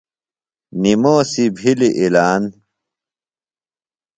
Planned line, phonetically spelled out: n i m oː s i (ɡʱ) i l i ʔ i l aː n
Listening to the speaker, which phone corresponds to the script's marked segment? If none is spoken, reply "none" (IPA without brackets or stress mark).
bʱ